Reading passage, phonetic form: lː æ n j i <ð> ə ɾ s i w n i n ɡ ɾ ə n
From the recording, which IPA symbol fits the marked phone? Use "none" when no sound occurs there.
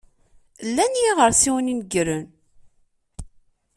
ʁ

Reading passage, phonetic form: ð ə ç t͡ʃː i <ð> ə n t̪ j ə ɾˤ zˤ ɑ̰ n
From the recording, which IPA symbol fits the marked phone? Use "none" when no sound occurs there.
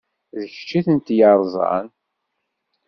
θ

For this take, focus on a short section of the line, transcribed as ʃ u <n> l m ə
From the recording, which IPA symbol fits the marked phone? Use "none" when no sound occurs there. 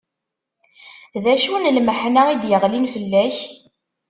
n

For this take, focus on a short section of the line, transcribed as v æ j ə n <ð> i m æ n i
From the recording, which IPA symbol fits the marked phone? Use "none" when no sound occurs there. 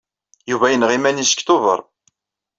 ʁ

